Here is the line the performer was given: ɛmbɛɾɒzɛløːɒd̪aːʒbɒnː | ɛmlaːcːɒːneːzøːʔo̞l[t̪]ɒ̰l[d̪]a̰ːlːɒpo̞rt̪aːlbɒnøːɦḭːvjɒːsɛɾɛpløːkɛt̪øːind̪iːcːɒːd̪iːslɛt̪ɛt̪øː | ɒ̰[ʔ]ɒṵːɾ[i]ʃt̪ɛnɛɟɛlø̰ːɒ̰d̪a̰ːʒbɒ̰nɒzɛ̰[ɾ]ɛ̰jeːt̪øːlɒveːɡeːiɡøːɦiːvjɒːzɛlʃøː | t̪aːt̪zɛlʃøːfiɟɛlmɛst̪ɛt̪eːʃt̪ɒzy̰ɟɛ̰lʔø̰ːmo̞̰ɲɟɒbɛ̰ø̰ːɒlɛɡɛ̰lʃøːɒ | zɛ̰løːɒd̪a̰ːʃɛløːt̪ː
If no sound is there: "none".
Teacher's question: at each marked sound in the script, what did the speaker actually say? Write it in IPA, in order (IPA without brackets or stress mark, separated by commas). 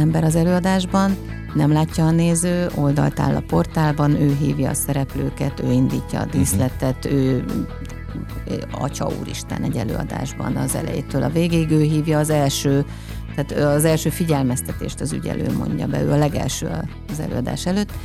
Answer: d̪, t̪, c, i, l